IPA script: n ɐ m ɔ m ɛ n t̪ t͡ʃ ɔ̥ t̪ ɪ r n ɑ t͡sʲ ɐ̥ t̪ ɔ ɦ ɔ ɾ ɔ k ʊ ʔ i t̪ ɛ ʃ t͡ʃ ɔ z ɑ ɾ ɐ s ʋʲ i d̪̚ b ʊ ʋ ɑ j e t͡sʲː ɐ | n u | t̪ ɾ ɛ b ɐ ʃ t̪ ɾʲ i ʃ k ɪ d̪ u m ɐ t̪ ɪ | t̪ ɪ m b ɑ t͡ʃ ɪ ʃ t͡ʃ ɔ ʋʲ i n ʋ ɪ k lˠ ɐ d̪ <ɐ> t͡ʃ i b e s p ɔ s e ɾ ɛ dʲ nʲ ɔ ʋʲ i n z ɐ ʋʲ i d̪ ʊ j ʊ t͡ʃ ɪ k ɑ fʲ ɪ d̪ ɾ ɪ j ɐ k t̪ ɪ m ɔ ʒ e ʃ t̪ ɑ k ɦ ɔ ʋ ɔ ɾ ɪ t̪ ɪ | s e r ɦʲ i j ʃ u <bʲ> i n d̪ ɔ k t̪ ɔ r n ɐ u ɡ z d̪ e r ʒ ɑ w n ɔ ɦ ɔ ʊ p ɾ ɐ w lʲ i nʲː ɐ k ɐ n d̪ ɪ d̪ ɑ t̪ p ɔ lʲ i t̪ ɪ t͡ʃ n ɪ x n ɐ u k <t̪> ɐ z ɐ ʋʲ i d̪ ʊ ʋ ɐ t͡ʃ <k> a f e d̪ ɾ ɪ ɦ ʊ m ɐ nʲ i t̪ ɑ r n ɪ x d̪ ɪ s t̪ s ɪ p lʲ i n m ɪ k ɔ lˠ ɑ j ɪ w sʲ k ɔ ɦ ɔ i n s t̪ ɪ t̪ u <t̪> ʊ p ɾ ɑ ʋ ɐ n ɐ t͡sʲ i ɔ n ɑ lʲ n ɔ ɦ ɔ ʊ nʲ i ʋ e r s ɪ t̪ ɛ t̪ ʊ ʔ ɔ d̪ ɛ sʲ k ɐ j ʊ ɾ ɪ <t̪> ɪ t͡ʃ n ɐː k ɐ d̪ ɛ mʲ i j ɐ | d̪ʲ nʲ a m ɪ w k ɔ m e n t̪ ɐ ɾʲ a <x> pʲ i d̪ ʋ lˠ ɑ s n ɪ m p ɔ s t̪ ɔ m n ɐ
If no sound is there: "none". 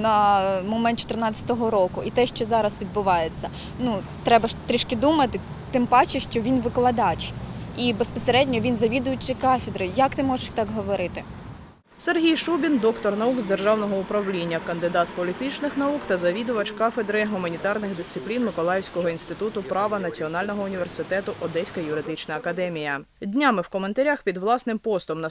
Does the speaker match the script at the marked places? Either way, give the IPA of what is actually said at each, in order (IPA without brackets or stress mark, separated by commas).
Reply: ɑ, bʲ, t̪, k, t̪, d̪, x